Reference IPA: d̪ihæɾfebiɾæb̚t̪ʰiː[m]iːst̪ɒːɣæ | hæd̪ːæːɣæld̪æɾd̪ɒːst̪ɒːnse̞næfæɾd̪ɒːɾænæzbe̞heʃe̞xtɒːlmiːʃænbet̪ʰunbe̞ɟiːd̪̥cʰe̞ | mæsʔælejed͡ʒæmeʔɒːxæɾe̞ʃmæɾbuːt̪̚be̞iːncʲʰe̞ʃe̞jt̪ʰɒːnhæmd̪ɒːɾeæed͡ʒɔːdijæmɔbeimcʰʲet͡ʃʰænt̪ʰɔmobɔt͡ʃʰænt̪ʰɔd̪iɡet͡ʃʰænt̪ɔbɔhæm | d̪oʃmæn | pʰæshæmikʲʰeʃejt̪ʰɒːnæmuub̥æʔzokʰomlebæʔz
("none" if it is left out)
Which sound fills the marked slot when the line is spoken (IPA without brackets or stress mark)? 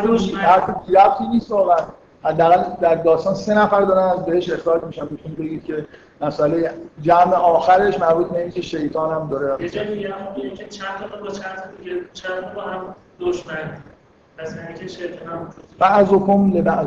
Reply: n